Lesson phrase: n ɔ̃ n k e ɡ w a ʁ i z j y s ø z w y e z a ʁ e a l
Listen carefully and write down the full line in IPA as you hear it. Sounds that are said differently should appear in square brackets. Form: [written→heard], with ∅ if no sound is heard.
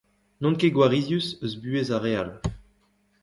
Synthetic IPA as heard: n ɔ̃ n k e ɡ w a ʁ i z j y s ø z [w→b] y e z a ʁ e a l